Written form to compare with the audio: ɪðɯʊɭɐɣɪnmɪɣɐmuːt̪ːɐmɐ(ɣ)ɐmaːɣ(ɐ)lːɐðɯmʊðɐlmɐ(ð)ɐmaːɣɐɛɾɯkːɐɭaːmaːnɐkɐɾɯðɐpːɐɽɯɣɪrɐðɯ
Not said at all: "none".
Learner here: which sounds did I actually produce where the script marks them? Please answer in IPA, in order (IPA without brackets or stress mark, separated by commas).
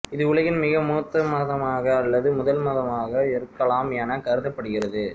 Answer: ð, ɐː, ð